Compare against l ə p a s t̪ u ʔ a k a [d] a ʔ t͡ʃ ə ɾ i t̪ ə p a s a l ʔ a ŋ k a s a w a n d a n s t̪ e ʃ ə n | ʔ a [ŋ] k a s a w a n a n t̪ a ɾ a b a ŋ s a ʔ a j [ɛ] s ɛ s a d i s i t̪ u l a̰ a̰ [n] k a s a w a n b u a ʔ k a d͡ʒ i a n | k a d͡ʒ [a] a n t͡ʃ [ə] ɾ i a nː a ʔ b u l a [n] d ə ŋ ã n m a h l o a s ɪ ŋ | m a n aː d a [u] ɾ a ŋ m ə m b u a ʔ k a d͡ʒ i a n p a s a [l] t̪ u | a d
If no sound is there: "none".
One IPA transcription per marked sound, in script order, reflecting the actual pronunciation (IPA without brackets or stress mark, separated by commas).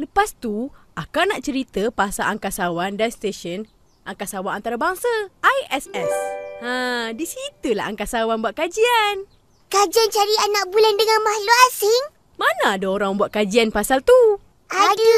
n, ŋ, ɛ, ŋ, i, a, n, o, l